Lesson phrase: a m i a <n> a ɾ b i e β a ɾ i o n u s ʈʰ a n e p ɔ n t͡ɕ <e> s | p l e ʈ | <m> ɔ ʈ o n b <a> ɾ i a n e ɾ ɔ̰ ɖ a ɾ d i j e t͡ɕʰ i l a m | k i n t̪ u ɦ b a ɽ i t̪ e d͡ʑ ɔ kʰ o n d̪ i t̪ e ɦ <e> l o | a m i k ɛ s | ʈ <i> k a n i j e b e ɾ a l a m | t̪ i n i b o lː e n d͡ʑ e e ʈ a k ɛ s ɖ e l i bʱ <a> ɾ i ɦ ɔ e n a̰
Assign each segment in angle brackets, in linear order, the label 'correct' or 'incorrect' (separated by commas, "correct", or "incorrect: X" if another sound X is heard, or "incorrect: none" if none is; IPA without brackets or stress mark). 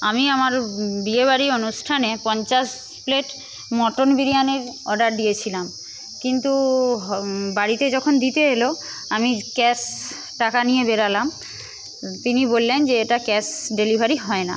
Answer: incorrect: m, incorrect: a, correct, incorrect: i, correct, incorrect: a, correct